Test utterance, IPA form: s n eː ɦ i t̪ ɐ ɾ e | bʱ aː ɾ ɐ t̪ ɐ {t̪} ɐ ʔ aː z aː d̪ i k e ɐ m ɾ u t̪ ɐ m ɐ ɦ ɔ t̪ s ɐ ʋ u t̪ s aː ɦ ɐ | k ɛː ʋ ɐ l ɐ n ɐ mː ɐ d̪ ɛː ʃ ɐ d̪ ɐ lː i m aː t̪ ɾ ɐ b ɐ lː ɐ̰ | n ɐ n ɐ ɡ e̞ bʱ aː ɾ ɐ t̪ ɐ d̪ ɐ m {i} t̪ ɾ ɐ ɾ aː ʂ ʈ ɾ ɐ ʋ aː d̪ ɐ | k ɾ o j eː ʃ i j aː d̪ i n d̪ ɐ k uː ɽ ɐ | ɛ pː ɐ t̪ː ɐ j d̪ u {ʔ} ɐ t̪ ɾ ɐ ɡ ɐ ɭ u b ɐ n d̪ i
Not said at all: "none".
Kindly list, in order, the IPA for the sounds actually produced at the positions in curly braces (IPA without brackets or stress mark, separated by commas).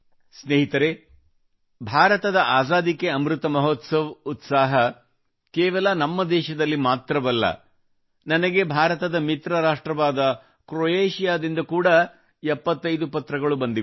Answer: d̪, i, p